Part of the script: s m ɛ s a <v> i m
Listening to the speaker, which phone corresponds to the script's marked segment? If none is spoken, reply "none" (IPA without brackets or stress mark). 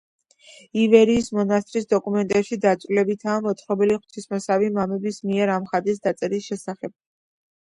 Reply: v